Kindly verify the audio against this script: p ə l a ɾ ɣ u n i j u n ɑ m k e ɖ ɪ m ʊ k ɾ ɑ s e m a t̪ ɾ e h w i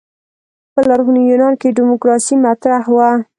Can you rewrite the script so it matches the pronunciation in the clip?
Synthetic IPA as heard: p ə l a ɾ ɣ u n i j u n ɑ n k e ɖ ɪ m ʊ k ɾ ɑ s i m a t̪ ɾ a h w a